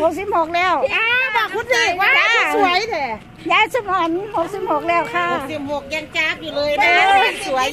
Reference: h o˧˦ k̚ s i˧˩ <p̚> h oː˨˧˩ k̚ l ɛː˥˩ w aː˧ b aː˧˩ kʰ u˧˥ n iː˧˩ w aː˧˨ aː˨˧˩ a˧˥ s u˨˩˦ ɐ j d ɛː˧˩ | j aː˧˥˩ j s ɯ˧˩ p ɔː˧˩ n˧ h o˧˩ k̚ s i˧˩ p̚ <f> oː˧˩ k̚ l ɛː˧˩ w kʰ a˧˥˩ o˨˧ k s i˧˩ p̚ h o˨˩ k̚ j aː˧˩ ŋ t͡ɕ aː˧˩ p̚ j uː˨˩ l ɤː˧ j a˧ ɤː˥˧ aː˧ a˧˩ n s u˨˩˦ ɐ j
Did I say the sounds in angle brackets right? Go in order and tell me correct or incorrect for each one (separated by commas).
correct, incorrect